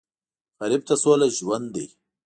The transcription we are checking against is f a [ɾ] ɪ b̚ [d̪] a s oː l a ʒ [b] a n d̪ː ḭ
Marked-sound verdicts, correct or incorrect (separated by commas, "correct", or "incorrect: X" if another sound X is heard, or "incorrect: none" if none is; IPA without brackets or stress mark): correct, incorrect: t̪, incorrect: w